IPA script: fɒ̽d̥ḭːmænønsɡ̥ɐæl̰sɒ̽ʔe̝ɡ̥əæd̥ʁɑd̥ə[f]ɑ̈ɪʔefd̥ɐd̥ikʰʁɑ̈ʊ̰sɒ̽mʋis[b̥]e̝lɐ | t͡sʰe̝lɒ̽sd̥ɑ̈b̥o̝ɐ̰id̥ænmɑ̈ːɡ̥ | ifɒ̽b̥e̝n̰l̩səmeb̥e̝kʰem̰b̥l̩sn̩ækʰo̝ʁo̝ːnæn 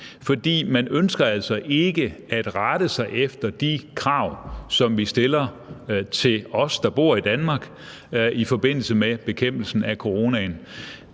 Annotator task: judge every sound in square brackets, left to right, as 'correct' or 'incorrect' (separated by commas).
incorrect, incorrect